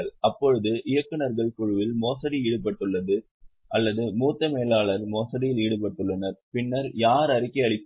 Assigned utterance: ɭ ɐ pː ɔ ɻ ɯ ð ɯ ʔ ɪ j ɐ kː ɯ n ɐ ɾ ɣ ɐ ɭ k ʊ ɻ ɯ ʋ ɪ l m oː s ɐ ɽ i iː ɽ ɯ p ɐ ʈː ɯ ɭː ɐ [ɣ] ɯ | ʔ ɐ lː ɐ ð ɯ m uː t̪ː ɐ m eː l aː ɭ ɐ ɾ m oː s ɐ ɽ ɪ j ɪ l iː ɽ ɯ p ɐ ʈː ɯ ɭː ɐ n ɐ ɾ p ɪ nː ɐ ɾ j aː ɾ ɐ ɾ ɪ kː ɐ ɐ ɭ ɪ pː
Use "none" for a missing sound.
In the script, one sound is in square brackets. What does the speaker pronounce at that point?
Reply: ð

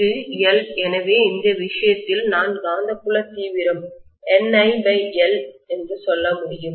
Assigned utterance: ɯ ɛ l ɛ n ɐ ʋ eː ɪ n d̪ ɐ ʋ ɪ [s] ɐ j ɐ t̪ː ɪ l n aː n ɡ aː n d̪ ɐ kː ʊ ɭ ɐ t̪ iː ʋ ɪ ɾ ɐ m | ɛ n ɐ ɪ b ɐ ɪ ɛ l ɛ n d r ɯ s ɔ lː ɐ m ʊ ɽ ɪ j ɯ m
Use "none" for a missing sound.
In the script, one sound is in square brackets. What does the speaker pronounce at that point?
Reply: ʂ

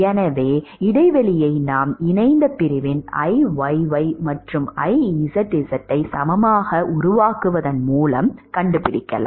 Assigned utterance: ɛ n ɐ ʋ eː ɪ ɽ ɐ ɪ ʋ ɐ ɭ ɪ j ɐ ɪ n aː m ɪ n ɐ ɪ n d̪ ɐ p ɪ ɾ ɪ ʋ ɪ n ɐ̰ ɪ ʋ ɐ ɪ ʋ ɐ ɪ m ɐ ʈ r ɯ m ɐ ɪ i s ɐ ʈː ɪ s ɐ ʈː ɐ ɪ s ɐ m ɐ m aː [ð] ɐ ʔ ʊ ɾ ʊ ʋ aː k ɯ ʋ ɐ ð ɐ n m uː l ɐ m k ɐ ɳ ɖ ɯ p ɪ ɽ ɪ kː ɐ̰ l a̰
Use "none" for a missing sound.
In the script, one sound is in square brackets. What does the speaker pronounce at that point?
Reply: ɣ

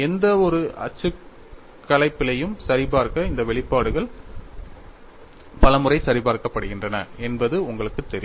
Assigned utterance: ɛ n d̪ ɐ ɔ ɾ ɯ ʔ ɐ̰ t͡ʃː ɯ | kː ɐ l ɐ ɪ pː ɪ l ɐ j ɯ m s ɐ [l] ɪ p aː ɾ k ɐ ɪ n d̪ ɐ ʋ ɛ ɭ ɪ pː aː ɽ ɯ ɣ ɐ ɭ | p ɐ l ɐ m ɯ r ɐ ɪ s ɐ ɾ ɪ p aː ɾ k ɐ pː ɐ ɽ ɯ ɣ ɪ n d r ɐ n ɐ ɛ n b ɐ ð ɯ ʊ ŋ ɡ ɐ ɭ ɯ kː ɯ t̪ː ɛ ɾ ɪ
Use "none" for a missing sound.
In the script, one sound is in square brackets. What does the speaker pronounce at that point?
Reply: ɾ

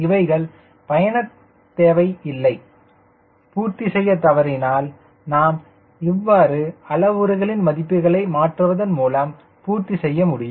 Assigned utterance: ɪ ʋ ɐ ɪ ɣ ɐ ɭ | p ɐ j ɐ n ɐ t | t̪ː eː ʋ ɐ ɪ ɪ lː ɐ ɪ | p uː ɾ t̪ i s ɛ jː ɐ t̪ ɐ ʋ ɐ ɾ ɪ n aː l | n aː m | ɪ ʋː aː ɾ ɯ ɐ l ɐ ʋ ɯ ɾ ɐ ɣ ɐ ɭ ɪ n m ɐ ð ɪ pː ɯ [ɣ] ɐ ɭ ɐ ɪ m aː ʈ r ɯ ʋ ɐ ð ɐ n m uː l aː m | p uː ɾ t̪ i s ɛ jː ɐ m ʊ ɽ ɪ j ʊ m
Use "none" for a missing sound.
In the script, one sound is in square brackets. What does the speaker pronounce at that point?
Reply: ɣ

